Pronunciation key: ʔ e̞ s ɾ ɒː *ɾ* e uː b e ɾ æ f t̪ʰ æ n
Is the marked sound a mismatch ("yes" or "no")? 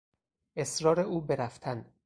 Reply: no